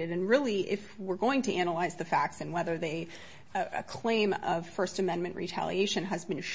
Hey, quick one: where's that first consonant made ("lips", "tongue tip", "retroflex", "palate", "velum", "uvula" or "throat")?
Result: tongue tip